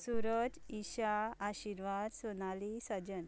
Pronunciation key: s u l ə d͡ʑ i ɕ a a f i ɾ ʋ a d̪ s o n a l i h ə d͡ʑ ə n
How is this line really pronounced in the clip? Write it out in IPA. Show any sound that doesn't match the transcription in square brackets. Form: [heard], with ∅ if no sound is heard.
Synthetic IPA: s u [ɾ] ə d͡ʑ i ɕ a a [ɕ] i ɾ ʋ a d̪ s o n a l i [s] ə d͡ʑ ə n

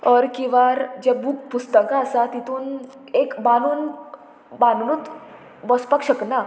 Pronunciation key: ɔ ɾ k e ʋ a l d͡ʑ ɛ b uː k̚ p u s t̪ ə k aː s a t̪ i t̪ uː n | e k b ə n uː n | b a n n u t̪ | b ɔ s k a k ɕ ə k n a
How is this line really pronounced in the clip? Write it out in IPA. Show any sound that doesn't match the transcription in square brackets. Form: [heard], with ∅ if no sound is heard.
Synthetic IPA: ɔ ɾ k [i] ʋ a [ɾ] d͡ʑ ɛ b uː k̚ p u s t̪ ə k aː s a t̪ i t̪ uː n | e k b [a] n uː n | b a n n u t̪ | b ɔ s [p] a k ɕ ə k n a

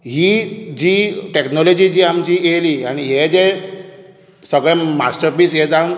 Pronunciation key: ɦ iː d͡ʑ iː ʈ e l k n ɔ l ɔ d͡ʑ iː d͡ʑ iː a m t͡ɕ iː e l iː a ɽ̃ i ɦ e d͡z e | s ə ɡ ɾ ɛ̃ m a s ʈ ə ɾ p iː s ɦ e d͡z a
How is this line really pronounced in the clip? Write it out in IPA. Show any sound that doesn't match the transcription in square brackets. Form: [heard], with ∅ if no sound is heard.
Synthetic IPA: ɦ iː d͡ʑ iː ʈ e [∅] k n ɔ l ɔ d͡ʑ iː d͡ʑ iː a m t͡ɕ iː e l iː a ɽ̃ i ɦ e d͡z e | s ə ɡ [ɭ] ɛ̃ m a s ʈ ə ɾ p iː s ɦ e d͡z a

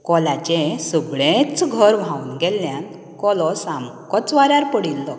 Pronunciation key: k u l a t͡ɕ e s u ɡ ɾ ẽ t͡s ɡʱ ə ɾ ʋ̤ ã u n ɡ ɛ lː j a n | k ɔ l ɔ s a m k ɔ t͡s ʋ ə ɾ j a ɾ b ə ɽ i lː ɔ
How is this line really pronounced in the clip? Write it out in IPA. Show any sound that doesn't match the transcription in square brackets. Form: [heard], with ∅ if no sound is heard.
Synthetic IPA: k [ɔ] l a t͡ɕ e s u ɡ [ɭ] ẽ t͡s ɡʱ ə ɾ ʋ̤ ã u n ɡ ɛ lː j a n | k ɔ l ɔ s a m k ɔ t͡s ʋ [a] ɾ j a ɾ [p] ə ɽ i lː ɔ

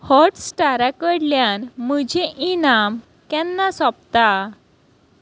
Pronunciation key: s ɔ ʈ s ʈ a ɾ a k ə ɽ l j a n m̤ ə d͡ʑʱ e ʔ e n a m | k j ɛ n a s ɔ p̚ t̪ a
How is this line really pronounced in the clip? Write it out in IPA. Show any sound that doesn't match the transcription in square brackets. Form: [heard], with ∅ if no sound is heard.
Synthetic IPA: [h] ɔ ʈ s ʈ a ɾ a k ə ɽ l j a n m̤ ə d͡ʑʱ e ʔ [i] n a m | k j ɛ [nː] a s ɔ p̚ t̪ a

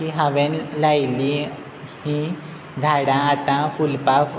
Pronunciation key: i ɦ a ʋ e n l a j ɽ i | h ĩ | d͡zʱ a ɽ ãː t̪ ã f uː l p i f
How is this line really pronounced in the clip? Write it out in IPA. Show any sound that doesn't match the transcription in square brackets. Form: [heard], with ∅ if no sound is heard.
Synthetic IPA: i ɦ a ʋ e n l a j [l] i | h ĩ | d͡zʱ a ɽ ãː t̪ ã f [u] l p [a] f

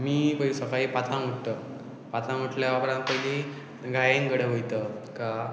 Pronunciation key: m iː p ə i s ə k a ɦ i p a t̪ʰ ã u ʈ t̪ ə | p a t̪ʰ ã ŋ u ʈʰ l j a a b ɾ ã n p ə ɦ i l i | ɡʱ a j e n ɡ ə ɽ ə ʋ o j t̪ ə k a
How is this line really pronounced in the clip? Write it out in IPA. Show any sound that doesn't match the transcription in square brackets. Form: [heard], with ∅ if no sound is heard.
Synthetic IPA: m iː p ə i s ə k a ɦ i p a t̪ʰ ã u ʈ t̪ ə | p a t̪ʰ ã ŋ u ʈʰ l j a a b ɾ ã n p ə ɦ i l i | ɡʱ a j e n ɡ ə ɽ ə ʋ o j t̪ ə k a

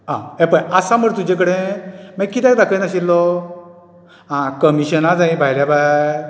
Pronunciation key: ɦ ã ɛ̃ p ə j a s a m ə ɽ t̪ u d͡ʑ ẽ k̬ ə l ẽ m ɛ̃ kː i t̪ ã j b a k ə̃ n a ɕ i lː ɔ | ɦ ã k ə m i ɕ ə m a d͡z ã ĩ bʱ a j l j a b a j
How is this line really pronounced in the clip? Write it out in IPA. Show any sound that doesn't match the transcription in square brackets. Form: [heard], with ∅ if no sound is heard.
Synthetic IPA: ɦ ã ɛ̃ p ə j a s a m ə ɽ t̪ u d͡ʑ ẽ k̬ ə [ɽ] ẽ m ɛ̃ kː i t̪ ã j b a k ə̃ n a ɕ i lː ɔ | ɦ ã k ə m i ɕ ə [n] a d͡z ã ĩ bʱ a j l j a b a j

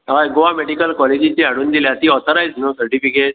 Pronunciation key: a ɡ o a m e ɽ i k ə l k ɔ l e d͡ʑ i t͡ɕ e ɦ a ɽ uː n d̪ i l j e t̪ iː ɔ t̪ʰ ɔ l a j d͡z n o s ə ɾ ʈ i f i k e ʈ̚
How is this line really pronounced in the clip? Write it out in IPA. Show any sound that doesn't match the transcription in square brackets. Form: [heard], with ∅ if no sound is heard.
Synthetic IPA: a ɡ o a m e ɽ i k ə l k ɔ l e d͡ʑ i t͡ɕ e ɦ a ɽ uː n d̪ i l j [a] t̪ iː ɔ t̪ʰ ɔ [ɾ] a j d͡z n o s ə ɾ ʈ i f i k e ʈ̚

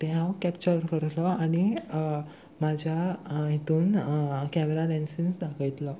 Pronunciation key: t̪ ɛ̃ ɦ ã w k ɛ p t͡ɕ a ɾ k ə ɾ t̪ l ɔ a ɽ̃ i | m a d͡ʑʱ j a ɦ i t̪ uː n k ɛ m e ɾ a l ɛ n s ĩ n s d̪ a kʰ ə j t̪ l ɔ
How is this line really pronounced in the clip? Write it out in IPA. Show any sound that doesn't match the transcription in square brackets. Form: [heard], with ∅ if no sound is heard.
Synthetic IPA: t̪ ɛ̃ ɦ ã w k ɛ p t͡ɕ [ə] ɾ k ə ɾ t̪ l ɔ a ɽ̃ i | m a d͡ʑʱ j a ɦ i t̪ uː n k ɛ m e ɾ a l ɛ n s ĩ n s d̪ a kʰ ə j t̪ l ɔ

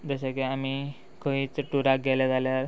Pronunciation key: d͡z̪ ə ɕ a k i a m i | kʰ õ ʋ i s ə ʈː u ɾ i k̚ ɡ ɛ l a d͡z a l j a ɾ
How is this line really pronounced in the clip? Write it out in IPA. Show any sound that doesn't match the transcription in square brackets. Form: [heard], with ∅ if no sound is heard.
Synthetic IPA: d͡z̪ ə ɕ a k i a m i | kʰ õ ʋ i [t͡s] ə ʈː u ɾ [a] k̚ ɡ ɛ l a d͡z a l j a ɾ

